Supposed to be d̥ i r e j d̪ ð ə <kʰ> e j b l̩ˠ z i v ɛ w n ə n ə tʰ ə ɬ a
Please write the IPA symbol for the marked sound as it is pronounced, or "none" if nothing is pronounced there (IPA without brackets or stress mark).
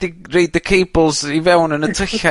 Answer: kʰ